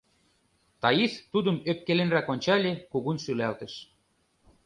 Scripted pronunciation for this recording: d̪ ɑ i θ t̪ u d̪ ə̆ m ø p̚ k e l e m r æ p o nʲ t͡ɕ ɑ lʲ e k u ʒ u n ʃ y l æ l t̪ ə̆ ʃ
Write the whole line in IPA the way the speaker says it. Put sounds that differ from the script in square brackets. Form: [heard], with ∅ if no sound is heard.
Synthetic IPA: [t̪] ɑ i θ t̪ u d̪ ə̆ m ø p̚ k e l e [n] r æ [k] o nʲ t͡ɕ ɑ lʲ e k u [ɣ] u n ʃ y l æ l t̪ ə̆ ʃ

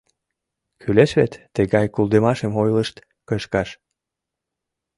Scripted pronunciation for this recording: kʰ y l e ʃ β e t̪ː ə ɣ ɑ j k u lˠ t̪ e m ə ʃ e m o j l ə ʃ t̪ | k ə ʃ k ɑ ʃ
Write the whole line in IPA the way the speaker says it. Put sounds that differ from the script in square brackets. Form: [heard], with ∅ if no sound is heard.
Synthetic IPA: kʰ y l e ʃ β e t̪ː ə ɣ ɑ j k u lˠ [d̪] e m [ɑ] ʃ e m o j l ə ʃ t̪ | k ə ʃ k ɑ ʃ

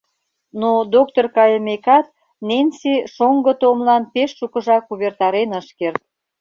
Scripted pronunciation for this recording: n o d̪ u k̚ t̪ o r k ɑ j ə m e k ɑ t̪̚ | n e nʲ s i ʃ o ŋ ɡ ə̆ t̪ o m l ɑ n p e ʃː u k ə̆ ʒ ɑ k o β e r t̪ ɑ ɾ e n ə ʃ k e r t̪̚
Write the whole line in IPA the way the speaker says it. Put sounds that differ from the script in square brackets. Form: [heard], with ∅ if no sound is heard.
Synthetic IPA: n o d̪ [o] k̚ t̪ o r k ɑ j ə m e k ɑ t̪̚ | n e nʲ s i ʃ o ŋ ɡ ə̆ t̪ o m l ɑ n p e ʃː u k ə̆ ʒ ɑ k [u] β e r t̪ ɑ ɾ e n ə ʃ k e r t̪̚

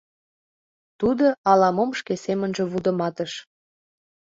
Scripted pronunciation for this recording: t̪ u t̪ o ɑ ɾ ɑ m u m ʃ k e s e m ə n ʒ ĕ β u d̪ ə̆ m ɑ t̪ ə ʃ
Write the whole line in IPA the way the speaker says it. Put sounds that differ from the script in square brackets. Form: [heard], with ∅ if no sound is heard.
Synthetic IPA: t̪ u [d̪] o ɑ [l] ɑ m [o] m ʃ k e s e m ə n ʒ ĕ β u d̪ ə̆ m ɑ t̪ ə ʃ

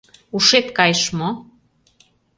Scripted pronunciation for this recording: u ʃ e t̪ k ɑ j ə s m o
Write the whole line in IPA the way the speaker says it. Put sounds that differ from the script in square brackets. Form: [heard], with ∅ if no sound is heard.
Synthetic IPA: u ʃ e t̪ k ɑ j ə [ʃ] m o

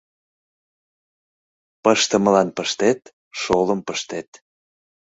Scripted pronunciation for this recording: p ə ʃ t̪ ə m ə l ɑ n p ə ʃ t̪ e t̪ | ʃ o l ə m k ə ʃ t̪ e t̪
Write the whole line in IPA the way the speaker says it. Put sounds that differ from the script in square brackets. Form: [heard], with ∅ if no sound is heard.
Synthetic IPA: p ə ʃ t̪ ə m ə l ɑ n p ə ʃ t̪ e t̪ | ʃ o l ə m [p] ə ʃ t̪ e t̪

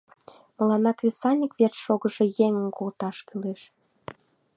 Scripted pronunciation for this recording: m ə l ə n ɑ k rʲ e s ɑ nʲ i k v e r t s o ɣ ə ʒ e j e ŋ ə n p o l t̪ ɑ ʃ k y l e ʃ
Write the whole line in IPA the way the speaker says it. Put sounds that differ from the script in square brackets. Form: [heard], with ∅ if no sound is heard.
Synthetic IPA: m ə l [ɑ] n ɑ k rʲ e s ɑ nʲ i k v e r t [ʃ] o ɣ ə ʒ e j e ŋ ə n [k] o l t̪ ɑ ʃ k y l e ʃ

